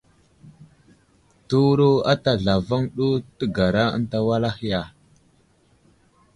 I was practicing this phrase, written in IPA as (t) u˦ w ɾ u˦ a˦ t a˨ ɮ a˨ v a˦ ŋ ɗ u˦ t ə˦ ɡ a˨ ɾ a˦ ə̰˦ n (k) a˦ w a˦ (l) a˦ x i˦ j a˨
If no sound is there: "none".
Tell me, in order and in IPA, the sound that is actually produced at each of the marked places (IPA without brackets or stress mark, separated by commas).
t, t, l